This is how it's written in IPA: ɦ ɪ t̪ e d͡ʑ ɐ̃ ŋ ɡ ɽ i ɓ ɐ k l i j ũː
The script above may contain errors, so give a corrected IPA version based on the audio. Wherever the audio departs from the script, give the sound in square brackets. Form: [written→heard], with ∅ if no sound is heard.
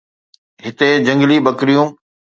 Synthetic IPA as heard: ɦ ɪ t̪ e d͡ʑ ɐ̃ ŋ ɡ [ɽ→l] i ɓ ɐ k [l→ɾ] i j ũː